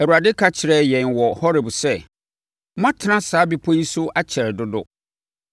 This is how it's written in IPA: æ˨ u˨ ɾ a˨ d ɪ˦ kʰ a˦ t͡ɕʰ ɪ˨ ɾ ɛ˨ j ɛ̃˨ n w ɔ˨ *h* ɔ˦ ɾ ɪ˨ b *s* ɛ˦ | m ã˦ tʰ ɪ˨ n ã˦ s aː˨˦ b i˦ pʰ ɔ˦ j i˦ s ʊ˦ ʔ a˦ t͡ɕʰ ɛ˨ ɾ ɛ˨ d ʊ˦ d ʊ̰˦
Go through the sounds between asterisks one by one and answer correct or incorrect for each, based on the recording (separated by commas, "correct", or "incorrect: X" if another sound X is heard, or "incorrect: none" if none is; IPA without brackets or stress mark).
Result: correct, correct